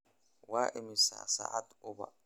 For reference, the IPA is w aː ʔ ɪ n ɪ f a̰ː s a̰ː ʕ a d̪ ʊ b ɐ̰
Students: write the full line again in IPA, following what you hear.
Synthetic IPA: w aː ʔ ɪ m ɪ s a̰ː s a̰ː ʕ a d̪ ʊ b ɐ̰